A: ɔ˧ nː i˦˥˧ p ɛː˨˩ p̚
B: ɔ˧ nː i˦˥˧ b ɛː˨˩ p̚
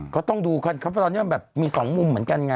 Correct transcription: B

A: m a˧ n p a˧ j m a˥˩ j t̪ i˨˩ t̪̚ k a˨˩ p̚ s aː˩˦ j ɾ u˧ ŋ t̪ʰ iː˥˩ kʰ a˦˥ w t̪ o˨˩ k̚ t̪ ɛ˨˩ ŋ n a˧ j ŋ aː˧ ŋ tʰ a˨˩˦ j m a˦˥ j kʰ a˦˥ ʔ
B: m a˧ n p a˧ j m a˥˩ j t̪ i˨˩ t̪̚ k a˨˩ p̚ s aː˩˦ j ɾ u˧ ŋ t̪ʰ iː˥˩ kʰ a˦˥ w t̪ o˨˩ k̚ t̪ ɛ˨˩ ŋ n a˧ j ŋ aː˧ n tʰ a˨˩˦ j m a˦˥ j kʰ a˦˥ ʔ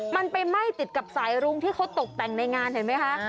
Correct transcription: B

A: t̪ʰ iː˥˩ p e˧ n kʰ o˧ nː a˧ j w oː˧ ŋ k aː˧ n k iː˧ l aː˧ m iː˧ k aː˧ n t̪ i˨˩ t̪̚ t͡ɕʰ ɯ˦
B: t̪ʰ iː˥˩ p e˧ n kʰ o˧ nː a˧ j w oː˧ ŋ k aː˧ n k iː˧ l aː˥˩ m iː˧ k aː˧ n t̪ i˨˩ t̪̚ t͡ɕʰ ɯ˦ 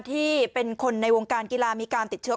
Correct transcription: A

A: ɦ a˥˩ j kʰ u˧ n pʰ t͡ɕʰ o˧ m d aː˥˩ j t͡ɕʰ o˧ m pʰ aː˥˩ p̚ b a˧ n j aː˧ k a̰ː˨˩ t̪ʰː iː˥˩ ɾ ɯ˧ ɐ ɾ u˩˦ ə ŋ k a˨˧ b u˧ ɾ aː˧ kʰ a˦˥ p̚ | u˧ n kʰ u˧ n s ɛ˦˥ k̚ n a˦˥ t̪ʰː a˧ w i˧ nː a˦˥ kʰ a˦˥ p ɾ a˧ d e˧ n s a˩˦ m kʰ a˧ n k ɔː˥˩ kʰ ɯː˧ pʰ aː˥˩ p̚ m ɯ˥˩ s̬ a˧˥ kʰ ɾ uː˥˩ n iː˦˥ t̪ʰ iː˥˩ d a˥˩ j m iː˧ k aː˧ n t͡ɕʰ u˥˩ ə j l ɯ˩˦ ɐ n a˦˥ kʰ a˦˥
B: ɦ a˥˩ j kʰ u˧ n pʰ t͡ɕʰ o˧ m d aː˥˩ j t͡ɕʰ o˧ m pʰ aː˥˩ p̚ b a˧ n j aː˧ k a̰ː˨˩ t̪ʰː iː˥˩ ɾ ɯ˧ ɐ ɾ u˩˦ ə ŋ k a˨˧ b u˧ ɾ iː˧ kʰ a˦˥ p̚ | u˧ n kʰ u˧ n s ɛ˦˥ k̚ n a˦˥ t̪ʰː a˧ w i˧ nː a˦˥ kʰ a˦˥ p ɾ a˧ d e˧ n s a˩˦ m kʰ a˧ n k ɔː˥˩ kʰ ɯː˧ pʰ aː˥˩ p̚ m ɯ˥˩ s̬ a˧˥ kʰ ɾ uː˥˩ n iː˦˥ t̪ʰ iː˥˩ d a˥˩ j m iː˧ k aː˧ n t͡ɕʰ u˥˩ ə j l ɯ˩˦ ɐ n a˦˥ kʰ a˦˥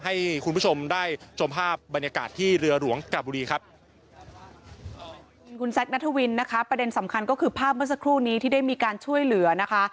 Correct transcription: B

